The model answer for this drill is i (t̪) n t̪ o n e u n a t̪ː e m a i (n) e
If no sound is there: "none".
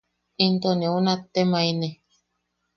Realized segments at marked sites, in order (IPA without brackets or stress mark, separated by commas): none, n